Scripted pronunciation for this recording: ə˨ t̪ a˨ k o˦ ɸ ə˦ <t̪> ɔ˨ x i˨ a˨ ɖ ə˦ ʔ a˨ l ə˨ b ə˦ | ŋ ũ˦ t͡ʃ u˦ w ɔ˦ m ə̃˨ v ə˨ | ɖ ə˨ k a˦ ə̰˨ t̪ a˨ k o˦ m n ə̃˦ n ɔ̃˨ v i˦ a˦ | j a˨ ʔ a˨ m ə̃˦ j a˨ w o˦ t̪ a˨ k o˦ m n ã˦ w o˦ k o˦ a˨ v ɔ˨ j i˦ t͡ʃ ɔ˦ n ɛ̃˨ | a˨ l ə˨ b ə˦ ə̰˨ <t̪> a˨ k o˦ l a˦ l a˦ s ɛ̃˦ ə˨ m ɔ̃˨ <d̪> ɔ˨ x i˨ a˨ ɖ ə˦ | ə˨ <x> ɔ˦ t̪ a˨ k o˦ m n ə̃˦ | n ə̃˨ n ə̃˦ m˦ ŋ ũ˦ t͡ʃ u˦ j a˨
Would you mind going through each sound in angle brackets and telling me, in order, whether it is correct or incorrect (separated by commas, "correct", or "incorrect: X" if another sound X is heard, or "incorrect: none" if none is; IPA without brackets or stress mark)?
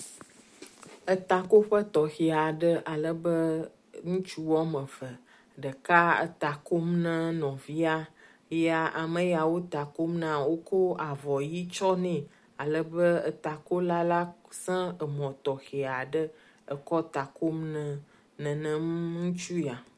correct, correct, incorrect: t̪, incorrect: k